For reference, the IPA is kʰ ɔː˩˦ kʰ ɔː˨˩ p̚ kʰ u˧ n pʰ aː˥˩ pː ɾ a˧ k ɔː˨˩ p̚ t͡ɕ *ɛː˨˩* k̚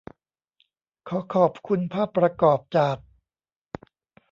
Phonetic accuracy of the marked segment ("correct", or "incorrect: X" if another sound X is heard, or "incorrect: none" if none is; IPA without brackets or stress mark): incorrect: aː˨˩